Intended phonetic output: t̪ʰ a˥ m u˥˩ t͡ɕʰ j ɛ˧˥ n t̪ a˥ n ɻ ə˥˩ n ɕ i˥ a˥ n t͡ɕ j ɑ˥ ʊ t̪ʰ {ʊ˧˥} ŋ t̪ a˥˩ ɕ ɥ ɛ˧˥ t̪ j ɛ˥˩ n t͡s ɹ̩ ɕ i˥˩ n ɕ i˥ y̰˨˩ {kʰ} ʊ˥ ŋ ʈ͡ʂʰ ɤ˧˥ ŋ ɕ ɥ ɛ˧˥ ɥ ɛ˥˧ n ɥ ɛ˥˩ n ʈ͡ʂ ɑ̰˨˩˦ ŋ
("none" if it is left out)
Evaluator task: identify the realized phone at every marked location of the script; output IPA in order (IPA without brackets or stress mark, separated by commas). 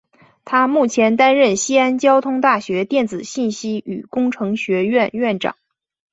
ʊ˥, k